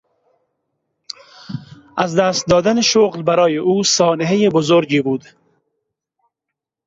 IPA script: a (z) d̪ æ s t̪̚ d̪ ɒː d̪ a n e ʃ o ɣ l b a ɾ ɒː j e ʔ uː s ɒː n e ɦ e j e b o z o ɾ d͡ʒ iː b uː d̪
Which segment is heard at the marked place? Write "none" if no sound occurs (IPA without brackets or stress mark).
z